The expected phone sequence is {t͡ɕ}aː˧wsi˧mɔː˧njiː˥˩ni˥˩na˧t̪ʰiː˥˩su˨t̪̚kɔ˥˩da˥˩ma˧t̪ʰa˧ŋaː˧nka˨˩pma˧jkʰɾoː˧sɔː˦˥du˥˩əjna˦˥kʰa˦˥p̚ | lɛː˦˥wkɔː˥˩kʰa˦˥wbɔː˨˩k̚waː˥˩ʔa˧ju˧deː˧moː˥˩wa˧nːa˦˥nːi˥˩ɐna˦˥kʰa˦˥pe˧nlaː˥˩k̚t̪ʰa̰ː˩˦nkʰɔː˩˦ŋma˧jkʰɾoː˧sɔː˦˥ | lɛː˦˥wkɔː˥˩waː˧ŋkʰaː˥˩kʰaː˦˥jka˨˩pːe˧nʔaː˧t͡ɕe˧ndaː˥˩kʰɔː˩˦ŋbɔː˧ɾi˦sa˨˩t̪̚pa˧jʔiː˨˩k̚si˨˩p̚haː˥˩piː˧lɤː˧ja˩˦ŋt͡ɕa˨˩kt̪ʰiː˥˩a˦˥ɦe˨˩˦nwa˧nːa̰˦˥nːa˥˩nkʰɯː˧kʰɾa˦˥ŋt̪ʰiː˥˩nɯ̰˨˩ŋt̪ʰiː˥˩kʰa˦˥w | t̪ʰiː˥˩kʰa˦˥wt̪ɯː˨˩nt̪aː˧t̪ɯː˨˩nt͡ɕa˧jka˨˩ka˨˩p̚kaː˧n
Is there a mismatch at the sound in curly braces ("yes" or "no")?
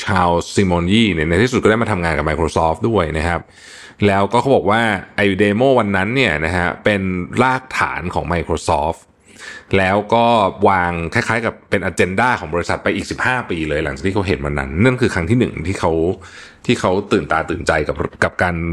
yes